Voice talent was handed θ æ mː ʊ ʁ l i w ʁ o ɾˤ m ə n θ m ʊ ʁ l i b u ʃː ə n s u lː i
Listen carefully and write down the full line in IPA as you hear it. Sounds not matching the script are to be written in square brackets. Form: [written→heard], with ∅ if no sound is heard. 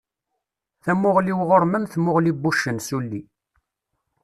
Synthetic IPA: θ æ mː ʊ ʁ l i w ʁ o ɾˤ m ə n θ m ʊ ʁ l i b u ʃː ə n s u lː i